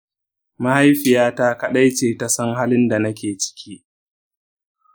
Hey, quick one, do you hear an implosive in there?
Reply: yes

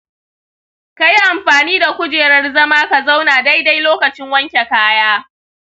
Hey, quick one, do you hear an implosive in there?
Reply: no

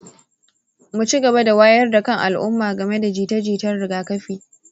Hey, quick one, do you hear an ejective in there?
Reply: no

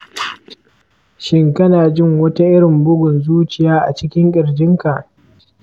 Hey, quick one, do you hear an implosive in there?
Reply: no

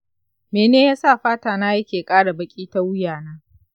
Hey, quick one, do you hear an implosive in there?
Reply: no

